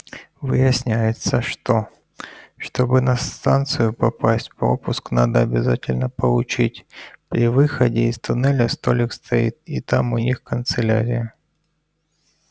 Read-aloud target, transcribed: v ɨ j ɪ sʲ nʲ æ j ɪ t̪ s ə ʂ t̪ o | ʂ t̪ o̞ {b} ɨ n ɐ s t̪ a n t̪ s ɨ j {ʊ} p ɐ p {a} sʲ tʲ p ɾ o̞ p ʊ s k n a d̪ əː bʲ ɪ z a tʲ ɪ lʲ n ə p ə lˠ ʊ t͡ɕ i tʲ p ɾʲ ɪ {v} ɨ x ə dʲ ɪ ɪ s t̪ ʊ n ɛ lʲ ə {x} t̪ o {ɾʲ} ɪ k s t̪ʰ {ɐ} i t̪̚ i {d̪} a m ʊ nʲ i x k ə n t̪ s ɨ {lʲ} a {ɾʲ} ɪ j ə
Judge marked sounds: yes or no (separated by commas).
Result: yes, yes, yes, yes, no, no, yes, no, yes, yes